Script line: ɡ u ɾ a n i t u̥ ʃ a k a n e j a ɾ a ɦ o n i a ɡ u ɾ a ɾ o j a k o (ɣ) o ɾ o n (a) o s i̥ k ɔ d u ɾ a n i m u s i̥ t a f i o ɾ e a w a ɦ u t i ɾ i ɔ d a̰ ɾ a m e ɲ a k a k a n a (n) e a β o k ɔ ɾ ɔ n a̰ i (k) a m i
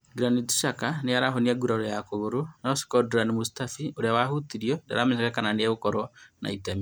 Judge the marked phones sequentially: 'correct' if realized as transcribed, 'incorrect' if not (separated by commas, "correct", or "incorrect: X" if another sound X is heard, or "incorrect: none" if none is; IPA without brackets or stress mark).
correct, correct, correct, incorrect: t